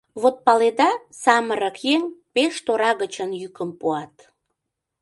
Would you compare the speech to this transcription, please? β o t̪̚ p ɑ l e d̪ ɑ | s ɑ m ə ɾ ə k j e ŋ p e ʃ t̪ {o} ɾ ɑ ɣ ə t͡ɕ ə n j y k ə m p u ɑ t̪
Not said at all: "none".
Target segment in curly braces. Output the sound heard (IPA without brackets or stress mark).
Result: o